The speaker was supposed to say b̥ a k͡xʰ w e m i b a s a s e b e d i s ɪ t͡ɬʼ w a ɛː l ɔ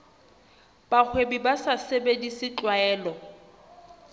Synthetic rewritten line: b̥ a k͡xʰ w e b i b a s a s e b e d i s ɪ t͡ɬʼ w a ɛː l ɔ